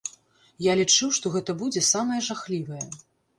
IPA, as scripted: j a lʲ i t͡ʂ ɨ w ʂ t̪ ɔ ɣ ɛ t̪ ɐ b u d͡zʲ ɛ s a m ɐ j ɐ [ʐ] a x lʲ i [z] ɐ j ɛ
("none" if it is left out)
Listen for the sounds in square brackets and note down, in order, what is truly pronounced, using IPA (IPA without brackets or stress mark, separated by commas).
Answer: ʐ, v